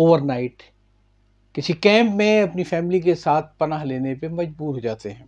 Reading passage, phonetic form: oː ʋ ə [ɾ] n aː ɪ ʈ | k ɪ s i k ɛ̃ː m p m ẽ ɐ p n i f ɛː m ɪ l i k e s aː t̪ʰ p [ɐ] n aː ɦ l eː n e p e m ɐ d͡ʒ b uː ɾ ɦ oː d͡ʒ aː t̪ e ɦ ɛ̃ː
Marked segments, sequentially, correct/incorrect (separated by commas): correct, correct